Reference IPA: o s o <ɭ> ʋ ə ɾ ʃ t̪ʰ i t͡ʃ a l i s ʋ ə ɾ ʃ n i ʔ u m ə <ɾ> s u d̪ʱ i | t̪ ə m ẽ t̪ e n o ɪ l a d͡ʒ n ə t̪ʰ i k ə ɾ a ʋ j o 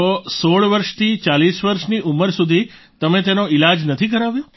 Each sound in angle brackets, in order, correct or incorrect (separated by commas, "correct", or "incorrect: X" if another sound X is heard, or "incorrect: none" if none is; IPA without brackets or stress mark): correct, correct